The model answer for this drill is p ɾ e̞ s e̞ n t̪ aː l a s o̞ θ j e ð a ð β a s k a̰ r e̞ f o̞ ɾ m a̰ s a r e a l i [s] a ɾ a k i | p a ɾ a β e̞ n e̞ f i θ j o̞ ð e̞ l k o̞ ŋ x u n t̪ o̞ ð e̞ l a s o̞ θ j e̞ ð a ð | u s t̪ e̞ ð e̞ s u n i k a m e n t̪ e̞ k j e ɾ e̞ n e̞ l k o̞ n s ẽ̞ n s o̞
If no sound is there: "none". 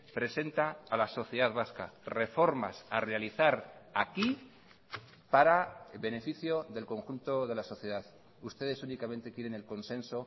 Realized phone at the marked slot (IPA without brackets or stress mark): θ